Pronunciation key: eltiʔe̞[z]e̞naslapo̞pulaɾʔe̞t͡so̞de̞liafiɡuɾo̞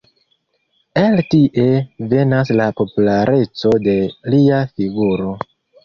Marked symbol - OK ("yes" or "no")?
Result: no